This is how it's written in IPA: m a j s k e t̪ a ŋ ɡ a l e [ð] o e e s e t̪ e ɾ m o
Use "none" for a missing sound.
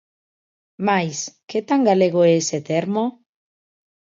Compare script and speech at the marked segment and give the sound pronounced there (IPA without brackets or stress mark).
ɣ